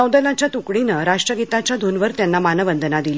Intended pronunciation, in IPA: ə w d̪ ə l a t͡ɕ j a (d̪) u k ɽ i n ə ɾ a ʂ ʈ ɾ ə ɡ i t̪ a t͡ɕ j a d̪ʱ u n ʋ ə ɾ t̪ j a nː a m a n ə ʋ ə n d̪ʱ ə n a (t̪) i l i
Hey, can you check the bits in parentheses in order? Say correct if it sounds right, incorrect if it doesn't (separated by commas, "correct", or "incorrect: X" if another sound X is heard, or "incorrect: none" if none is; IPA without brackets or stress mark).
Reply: incorrect: t̪, incorrect: d̪